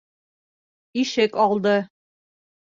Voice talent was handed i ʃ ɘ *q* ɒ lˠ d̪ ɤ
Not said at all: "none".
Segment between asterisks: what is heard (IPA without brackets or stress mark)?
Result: k